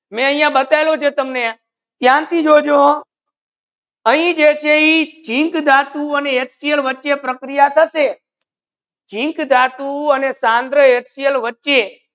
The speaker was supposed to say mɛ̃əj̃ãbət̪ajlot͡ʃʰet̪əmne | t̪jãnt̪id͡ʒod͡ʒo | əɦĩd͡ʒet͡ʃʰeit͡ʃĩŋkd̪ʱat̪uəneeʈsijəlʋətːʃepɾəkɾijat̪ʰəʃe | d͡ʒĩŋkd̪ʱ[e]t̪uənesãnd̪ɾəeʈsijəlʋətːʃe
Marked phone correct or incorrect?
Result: incorrect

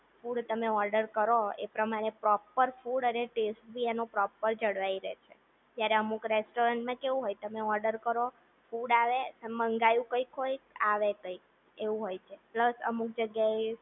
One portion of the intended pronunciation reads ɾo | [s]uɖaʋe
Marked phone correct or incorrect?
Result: incorrect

